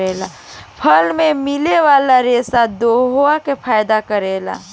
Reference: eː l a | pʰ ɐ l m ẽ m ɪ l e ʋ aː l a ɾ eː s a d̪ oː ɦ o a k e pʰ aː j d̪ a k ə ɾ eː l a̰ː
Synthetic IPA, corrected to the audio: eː l a | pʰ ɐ l m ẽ m ɪ l e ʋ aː l a ɾ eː s a d̪ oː ɦ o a k e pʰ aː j d̪ a k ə ɾ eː l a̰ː

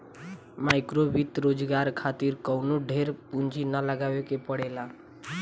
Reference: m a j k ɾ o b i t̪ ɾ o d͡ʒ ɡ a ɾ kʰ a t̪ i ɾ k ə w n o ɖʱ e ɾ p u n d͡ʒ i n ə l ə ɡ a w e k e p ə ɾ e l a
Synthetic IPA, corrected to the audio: m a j k ɾ o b i t̪ ɾ o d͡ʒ ɡ a ɾ kʰ a t̪ i ɾ k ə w n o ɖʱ e ɾ p u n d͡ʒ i n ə l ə ɡ a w e k e p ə ɽ e l a

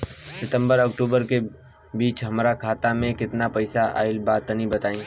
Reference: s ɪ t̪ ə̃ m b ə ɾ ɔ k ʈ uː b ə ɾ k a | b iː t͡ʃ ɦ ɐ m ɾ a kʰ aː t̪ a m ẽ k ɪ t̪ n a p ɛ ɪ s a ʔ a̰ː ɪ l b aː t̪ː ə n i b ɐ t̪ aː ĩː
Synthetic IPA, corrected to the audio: s ɪ t̪ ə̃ m b ə ɾ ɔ k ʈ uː b ə ɾ k e | b iː t͡ʃ ɦ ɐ m ɾ a kʰ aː t̪ a m ẽ k ɪ t̪ n a p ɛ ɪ s a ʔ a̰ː ɪ l b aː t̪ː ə n i b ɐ t̪ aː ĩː

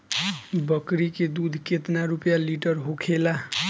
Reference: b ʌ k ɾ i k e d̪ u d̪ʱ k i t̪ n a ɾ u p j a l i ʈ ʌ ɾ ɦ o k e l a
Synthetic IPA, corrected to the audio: b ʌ k ɾ i k e d̪ u d̪ʱ k e t̪ n a ɾ u p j a l i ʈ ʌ ɾ ɦ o kʰ e l a

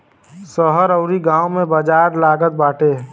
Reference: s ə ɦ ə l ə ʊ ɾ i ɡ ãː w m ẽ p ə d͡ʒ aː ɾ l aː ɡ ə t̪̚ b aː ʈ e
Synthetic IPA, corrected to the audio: s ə ɦ ə ɾ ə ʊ ɾ i ɡ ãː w m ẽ b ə d͡ʒ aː ɾ l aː ɡ ə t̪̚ b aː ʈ e

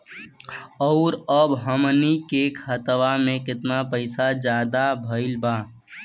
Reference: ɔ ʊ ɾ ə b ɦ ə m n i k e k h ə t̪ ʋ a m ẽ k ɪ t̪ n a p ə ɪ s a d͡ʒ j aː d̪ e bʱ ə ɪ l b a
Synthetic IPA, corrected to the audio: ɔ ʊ ɾ ə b ɦ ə m n i k e k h ə t̪ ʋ a m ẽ k ɪ t̪ n a p ə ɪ s a d͡ʒ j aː d̪ a bʱ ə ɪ l b a

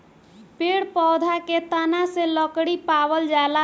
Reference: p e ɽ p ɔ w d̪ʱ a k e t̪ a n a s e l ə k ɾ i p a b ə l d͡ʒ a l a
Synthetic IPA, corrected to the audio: p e ɽ p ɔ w d̪ʱ a k e t̪ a n a s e l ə k ɽ i p a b ə l d͡ʒ a l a

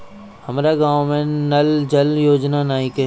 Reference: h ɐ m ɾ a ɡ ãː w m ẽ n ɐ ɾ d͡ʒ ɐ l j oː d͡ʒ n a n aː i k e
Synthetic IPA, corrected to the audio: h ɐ m ɾ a ɡ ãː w m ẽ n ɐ l d͡ʒ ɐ l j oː d͡ʒ n a n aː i k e

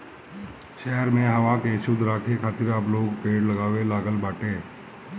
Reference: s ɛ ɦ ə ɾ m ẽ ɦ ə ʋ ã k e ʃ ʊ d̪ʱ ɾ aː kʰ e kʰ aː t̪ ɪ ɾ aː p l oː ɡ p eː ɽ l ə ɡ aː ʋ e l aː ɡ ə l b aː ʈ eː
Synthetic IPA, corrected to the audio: ʃ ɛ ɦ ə ɾ m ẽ ɦ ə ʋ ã k e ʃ ʊ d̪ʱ ɾ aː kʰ e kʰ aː t̪ ɪ ɾ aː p l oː ɡ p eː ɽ l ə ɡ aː ʋ e l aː ɡ ə l b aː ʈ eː

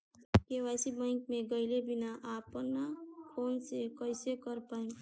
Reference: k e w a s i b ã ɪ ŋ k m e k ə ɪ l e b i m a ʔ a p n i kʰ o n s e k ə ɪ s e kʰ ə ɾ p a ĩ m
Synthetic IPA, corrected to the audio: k e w a s i b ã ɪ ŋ k m e ɡ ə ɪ l e b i n a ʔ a p n a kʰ o n s e k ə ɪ s e k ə ɾ p a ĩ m

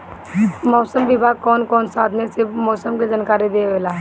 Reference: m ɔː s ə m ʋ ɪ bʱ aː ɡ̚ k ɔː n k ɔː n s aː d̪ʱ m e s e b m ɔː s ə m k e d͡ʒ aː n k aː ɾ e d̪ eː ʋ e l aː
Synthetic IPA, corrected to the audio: m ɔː s ə m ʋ ɪ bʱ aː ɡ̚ k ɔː n k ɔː n s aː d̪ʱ n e s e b m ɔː s ə m k e d͡ʒ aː n k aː ɾ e d̪ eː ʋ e l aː

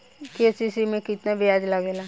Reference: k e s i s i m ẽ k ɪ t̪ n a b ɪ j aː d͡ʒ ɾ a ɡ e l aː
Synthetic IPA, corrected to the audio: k e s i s i m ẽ k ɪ t̪ n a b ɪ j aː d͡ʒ l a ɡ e l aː

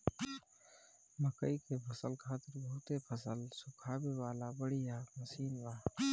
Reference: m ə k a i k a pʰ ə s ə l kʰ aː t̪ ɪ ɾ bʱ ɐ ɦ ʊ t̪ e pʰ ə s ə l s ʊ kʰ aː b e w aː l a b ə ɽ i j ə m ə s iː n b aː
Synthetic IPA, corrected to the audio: m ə k ə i k e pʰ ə s ə l kʰ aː t̪ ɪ ɾ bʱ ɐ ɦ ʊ t̪ e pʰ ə s ə l s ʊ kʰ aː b e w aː l a b ə ɽ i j a m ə s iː n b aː

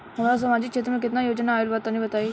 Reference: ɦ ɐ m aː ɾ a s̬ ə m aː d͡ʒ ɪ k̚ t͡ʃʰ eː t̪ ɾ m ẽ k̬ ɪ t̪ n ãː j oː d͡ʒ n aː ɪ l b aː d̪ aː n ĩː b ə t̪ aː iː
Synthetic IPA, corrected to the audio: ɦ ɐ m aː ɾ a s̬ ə m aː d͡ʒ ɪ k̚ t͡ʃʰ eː t̪ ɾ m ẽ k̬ ɪ t̪ n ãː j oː d͡ʒ n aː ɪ l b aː t̪ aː n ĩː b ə t̪ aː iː

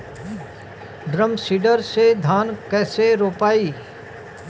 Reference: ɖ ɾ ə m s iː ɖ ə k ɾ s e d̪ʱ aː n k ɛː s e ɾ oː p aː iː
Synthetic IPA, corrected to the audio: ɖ ɾ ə m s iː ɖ ə ɾ s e d̪ʱ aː n k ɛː s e ɾ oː p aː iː

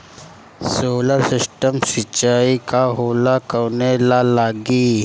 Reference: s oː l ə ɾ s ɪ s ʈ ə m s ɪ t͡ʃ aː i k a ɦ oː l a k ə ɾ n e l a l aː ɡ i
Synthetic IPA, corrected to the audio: s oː l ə ɾ s ɪ s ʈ ə m s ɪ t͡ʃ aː i k a ɦ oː l a k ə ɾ n e l a l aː ɡ i

